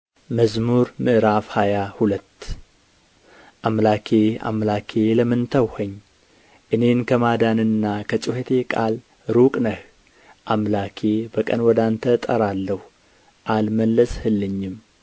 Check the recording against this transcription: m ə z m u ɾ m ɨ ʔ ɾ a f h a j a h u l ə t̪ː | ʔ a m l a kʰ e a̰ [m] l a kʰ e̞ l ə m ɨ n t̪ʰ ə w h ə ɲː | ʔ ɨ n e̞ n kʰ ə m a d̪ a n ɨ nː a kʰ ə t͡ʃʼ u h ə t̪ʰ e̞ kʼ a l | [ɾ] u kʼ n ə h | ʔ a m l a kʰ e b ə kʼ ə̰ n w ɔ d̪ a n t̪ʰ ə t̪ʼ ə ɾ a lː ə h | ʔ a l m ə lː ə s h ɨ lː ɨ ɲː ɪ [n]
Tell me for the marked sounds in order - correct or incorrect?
correct, correct, incorrect: m

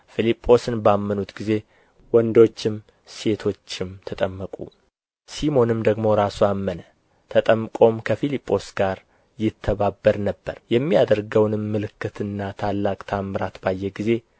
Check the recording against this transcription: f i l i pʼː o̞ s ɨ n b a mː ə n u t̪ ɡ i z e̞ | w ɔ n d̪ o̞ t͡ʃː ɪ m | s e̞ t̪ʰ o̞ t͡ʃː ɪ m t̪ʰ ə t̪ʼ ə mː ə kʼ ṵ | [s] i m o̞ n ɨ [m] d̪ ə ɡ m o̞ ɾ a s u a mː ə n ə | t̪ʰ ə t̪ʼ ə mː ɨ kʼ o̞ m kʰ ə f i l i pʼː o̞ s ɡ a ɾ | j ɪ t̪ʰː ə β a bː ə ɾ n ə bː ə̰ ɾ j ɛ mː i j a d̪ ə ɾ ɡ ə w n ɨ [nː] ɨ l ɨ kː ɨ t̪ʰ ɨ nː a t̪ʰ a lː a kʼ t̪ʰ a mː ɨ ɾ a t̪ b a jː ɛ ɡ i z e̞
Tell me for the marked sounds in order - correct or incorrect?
correct, correct, incorrect: mː

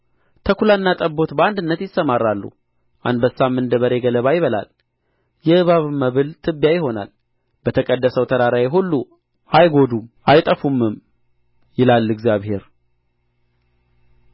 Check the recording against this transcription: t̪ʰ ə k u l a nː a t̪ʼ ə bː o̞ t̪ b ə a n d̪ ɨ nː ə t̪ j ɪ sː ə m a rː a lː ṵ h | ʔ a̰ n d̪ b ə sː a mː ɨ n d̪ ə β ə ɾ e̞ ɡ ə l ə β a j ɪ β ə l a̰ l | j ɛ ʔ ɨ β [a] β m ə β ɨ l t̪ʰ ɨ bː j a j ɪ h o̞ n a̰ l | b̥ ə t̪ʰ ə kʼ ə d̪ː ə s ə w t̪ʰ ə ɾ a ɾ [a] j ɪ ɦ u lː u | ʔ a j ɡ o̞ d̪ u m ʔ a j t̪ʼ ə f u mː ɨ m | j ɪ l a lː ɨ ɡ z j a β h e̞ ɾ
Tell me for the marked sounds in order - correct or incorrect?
correct, correct

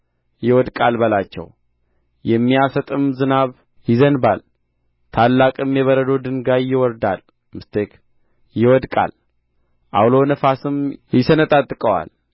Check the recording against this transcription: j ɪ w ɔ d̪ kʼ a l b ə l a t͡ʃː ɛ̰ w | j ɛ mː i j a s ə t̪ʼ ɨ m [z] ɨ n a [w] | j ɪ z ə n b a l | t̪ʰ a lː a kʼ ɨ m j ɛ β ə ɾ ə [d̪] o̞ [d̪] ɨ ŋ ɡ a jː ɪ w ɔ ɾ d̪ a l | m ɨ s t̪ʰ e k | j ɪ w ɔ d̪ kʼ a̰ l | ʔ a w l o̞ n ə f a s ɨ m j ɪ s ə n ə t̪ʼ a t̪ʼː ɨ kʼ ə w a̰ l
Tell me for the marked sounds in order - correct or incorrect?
correct, incorrect: β, correct, correct

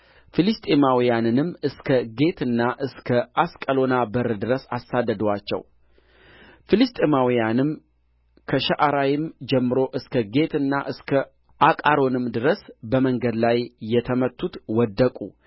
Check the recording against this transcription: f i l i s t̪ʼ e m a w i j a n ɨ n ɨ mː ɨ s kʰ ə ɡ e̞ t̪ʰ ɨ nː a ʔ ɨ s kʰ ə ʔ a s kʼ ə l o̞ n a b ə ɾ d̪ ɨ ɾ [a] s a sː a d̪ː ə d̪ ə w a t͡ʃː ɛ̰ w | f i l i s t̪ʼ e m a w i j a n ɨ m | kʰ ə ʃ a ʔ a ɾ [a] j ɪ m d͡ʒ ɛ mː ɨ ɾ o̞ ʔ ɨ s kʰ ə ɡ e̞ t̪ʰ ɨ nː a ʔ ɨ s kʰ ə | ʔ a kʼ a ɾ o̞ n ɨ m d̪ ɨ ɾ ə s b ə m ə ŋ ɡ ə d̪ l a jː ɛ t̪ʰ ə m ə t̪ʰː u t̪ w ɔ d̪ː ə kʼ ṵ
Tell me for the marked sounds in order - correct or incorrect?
incorrect: ə, correct

